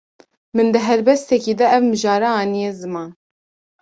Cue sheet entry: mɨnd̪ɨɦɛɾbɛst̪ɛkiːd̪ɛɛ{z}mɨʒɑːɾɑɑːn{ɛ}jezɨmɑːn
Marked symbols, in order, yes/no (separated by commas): no, no